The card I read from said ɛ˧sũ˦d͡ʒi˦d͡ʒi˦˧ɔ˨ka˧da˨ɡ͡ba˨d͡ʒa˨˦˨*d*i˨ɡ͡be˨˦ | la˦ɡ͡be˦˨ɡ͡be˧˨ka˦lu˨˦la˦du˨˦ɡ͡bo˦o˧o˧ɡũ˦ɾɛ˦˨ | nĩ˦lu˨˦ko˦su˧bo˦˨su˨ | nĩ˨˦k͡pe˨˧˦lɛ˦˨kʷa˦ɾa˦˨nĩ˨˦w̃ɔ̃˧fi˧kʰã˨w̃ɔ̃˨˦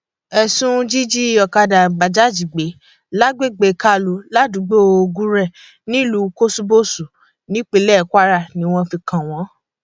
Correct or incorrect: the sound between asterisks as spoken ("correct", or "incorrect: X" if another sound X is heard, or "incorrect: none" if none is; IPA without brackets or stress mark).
incorrect: d͡ʒ